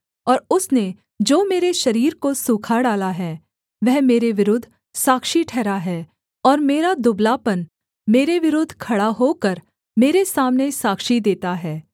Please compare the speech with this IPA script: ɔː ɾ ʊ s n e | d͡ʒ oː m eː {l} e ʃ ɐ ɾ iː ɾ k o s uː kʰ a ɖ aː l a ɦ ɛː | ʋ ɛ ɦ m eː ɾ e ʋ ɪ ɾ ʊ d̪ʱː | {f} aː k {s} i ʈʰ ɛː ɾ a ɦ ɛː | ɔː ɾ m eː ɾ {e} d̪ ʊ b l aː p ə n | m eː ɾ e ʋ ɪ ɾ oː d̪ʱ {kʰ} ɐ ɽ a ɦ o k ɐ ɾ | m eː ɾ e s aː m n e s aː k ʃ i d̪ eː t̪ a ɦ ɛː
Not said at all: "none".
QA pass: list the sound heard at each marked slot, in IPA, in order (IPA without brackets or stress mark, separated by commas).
ɾ, s, ʃ, a, kʰ